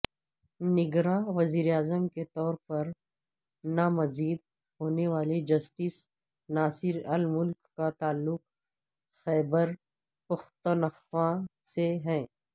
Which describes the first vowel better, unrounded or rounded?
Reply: unrounded